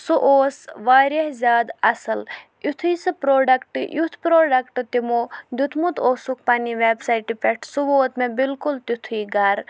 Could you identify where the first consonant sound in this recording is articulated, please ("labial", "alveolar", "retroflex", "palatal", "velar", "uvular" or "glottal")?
alveolar